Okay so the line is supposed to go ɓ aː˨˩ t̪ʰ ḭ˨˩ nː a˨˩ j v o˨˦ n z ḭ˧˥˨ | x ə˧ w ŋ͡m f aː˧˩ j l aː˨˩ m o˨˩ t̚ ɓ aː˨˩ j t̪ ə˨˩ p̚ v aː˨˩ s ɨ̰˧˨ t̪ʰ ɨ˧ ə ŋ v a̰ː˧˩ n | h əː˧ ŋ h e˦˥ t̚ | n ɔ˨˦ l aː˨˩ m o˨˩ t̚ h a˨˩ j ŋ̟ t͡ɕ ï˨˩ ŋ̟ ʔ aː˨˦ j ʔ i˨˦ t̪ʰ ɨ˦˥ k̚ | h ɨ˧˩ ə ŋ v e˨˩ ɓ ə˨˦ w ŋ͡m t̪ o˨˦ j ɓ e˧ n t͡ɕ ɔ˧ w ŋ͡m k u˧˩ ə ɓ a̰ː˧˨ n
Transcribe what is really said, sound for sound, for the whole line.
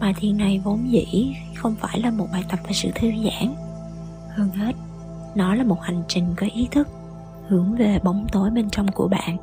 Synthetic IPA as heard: ɓ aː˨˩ t̪ʰ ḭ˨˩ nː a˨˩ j v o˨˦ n z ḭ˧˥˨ | x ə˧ w ŋ͡m f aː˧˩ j l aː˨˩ m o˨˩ t̚ ɓ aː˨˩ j t̪ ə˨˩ p̚ v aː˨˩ s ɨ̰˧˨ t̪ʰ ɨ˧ ə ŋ z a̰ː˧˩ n | h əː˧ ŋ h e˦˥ t̚ | n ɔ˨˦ l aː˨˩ m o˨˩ t̚ h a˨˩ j ŋ̟ t͡ɕ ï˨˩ ŋ̟ k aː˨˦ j ʔ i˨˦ t̪ʰ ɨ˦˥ k̚ | h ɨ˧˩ ə ŋ v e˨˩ ɓ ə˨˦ w ŋ͡m t̪ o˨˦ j ɓ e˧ n t͡ɕ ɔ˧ w ŋ͡m k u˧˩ ə ɓ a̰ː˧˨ n